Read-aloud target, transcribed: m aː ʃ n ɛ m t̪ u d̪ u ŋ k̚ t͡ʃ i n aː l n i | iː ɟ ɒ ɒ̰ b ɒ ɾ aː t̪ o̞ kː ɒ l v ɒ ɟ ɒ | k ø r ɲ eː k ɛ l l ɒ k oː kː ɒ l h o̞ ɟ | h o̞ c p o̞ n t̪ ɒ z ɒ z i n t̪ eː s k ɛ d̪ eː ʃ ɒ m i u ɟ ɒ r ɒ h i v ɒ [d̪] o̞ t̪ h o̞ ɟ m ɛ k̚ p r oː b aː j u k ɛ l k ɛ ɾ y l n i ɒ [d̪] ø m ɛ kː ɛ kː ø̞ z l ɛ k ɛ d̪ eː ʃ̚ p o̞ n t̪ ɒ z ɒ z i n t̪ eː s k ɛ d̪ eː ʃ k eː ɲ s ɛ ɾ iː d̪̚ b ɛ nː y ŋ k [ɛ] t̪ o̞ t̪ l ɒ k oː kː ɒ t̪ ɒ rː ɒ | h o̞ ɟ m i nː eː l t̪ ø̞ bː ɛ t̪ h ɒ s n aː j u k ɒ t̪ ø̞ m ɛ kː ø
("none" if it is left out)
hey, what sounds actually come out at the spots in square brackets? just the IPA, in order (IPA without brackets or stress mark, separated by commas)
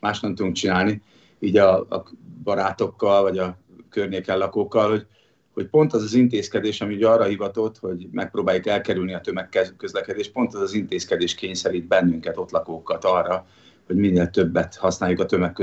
t̪, t̪, ɛ